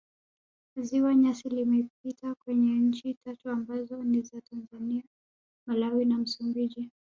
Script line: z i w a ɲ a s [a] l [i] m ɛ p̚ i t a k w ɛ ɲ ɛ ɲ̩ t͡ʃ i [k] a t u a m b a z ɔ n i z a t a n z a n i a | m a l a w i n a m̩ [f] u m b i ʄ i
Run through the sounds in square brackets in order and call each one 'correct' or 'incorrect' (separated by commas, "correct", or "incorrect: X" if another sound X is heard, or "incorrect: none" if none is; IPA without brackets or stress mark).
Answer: incorrect: i, correct, incorrect: t, incorrect: s